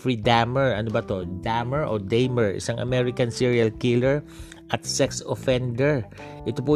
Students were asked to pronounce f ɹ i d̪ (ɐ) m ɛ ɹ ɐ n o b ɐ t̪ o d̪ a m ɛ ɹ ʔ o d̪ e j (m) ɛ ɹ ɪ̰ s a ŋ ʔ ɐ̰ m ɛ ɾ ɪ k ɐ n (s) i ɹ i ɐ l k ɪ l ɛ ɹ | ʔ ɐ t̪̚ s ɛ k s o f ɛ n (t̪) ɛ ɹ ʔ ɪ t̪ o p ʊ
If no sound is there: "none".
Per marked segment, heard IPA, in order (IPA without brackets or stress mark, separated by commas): a, m, s, d̪